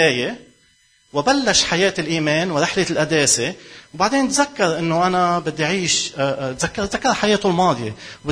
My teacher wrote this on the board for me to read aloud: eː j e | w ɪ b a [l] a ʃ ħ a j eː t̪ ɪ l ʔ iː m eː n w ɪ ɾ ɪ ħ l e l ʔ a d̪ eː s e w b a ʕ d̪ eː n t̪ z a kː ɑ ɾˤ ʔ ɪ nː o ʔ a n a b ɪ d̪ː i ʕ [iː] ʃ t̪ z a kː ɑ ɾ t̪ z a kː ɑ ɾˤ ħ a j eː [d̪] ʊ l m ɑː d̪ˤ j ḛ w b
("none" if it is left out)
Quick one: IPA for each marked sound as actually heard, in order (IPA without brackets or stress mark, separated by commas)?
lː, iː, t̪